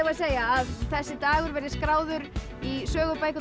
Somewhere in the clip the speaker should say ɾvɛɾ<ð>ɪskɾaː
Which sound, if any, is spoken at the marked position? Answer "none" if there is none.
ð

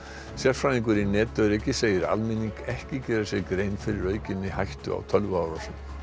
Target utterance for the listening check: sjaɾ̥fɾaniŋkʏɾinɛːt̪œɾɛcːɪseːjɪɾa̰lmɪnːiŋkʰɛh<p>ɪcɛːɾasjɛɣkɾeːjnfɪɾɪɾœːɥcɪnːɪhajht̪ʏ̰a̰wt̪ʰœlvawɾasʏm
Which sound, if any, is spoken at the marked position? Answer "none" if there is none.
c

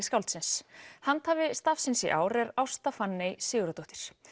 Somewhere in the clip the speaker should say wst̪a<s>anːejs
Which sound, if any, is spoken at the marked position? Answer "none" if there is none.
f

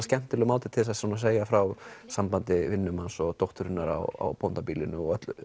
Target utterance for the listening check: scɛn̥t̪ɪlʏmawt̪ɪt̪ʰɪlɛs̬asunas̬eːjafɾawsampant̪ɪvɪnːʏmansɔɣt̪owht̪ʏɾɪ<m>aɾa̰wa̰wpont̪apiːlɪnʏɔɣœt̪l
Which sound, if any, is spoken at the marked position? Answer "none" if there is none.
n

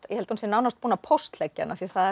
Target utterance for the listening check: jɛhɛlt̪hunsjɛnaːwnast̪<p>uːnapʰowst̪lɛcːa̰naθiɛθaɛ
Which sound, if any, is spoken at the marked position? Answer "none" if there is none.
p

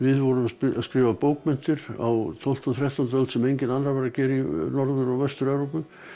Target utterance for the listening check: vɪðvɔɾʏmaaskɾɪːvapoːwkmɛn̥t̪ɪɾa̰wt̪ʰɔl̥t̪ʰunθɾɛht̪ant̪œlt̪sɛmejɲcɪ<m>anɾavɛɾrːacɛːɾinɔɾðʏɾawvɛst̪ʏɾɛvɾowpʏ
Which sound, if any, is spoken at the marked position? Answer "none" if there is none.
n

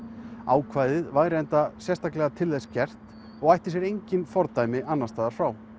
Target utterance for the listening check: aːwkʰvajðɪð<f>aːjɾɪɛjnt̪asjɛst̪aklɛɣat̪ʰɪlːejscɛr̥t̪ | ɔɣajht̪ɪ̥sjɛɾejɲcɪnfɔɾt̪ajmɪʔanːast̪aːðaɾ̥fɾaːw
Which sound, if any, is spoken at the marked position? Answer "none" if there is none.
v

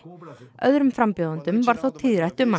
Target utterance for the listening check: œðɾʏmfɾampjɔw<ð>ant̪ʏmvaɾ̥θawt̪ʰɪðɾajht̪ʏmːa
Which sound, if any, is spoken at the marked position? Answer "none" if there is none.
ð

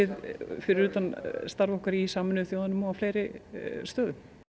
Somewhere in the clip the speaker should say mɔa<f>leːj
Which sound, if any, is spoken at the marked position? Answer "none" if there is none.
f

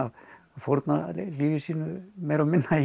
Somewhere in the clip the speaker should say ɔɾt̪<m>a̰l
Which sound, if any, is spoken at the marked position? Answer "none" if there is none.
n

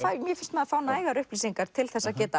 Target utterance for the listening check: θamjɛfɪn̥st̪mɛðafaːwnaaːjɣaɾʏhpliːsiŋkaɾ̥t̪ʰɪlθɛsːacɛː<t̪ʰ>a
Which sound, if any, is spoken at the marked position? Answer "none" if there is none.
t̪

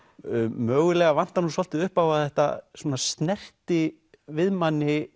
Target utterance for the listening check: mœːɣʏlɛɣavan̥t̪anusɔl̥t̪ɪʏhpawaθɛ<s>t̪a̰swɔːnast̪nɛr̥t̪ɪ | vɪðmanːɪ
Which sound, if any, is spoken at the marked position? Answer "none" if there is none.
h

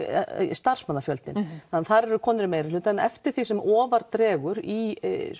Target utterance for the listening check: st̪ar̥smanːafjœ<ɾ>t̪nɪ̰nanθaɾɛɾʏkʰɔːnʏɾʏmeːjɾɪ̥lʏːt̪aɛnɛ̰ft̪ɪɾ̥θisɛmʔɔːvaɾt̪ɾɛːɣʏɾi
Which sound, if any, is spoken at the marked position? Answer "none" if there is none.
l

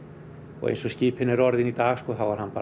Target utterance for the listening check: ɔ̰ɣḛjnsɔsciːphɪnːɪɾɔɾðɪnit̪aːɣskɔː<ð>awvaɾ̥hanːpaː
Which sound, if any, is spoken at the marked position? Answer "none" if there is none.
θ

